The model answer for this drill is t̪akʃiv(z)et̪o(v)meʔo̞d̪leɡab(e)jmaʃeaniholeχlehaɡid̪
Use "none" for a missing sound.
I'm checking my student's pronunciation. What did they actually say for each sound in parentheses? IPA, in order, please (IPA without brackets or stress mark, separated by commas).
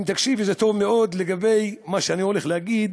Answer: z, v, e